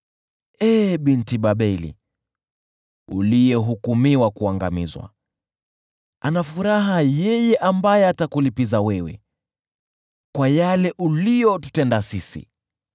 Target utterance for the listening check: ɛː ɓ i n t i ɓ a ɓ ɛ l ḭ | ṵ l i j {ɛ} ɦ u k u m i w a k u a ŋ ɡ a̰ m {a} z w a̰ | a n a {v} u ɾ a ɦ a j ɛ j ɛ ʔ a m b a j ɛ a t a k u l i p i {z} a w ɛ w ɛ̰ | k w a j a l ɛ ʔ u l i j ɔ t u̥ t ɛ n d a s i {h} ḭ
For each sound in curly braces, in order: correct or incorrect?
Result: correct, incorrect: i, incorrect: f, correct, incorrect: s

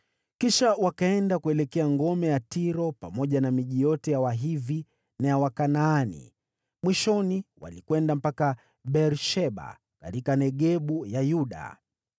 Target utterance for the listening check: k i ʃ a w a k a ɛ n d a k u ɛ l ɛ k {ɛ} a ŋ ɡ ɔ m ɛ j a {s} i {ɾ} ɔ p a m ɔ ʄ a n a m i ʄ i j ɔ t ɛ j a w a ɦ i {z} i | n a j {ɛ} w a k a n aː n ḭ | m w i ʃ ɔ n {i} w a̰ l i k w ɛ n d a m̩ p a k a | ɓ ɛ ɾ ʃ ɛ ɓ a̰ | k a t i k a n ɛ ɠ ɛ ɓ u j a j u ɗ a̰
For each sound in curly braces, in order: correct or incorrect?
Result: correct, incorrect: t, correct, incorrect: v, incorrect: a, correct

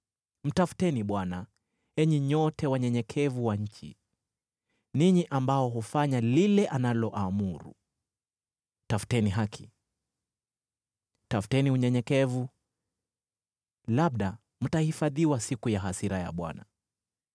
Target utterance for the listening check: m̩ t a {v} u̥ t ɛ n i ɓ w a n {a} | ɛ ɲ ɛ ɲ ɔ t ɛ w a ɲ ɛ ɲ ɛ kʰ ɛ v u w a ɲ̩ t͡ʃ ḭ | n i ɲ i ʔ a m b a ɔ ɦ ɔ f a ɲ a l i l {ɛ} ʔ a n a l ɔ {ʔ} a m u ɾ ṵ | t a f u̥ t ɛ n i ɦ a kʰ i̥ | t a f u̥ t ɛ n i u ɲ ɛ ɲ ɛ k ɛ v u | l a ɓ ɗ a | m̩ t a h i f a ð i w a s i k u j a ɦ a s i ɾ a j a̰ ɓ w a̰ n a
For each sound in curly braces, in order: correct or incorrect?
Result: incorrect: f, correct, correct, correct

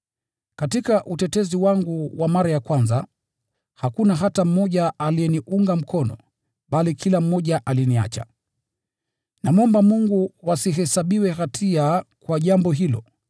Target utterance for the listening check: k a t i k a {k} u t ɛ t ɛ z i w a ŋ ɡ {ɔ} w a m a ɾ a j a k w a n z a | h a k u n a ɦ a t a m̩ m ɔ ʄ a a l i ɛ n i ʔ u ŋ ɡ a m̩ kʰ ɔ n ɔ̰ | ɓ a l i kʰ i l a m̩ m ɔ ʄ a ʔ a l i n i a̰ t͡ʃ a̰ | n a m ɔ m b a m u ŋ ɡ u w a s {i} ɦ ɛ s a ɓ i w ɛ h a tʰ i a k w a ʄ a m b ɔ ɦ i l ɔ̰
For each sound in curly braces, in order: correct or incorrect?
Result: incorrect: ʔ, incorrect: u, correct

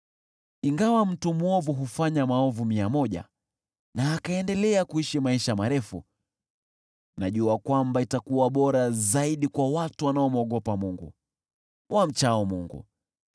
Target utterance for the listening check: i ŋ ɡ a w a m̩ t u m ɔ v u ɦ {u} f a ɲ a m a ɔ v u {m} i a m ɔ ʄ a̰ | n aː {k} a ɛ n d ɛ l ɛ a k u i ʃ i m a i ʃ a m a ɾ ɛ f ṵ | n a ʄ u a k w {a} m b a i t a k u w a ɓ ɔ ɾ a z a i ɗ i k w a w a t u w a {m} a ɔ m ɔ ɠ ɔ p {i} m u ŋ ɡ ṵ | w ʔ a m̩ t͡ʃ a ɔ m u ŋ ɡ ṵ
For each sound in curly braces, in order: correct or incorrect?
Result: correct, correct, correct, correct, incorrect: n, incorrect: a

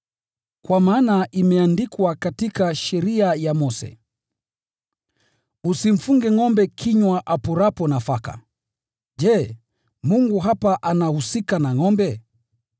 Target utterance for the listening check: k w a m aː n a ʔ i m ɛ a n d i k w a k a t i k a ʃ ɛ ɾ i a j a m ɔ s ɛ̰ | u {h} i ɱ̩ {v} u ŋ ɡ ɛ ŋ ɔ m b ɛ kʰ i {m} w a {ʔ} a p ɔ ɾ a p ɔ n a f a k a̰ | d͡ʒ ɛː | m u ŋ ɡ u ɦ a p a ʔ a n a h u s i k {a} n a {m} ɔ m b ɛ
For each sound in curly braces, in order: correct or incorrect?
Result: incorrect: s, incorrect: f, incorrect: ɲ, correct, correct, incorrect: ŋ

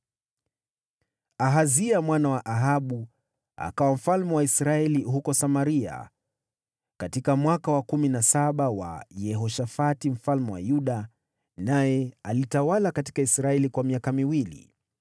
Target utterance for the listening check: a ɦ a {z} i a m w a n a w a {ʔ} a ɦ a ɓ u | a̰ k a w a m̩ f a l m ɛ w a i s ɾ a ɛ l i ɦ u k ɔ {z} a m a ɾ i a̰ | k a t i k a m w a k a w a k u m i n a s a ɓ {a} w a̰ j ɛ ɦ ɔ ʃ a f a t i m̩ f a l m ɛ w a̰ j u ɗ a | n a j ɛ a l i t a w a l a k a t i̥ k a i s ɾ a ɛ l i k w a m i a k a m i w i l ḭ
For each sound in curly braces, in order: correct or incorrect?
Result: correct, correct, incorrect: s, correct

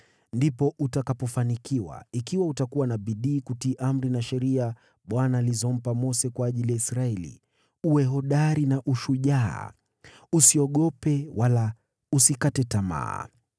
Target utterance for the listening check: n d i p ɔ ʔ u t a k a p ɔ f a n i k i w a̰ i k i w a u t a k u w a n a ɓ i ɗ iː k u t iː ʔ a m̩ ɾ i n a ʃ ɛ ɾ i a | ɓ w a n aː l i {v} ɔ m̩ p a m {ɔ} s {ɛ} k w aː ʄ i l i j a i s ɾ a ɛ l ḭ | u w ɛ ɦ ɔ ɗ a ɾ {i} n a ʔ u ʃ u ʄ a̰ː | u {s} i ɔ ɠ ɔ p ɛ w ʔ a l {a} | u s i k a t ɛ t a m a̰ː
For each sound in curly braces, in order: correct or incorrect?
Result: incorrect: z, correct, correct, correct, correct, correct

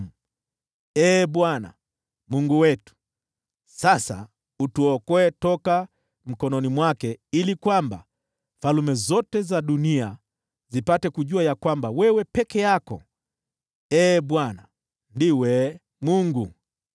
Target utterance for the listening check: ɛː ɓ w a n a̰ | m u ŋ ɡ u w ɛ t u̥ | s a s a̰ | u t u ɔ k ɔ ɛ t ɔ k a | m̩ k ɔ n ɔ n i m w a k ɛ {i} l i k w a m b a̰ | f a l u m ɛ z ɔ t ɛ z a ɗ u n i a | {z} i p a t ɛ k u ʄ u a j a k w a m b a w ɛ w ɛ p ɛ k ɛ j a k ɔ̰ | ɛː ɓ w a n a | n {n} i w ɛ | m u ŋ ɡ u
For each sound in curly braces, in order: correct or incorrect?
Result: correct, correct, incorrect: d

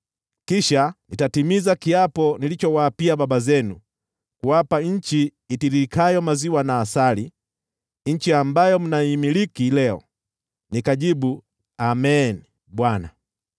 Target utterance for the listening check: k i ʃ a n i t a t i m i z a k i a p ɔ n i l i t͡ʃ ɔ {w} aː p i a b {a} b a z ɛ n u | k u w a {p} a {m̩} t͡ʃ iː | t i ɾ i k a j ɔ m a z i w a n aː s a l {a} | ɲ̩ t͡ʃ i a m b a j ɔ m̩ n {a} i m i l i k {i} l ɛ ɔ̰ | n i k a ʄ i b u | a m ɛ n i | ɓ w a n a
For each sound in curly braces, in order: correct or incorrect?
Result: correct, correct, correct, incorrect: ɲ̩, incorrect: i, correct, correct

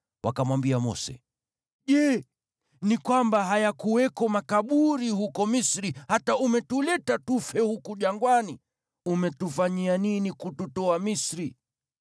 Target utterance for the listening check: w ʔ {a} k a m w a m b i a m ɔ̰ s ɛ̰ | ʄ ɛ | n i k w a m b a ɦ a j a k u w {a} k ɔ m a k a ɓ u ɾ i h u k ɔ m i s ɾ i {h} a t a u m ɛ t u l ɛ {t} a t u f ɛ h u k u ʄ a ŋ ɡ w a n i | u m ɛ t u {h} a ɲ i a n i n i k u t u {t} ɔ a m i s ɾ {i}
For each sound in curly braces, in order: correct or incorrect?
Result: correct, incorrect: ɛ, correct, correct, incorrect: f, correct, correct

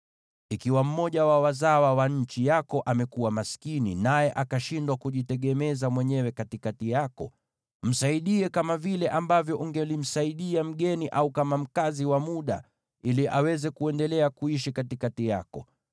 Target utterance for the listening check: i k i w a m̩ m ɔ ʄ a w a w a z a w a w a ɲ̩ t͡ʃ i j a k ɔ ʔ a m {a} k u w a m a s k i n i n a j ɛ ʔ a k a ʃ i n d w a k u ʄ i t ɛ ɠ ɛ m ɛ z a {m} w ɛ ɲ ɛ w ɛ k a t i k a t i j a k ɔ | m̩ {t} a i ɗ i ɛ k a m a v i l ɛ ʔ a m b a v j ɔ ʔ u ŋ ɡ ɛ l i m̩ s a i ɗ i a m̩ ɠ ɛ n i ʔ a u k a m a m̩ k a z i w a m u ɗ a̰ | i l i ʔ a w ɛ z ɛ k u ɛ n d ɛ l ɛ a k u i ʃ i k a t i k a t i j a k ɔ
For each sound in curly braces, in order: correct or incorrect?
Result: incorrect: ɛ, correct, incorrect: s

